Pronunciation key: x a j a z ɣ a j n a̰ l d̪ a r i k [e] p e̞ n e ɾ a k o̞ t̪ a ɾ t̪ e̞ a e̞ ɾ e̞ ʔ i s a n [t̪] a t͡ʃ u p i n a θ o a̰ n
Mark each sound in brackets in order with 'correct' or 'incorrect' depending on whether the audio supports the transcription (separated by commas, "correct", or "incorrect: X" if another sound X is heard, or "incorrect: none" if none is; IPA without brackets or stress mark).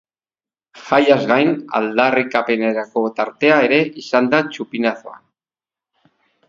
incorrect: a, incorrect: d̪